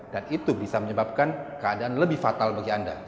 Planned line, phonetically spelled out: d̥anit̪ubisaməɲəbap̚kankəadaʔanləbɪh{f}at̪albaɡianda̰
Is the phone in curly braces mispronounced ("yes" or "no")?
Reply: no